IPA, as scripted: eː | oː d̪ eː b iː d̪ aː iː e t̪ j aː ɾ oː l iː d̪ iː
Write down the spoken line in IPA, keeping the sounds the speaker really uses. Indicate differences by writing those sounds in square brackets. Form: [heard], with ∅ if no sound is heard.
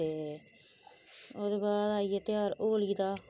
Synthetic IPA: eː | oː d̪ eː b [aː] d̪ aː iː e t̪ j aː ɾ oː l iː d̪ [aː]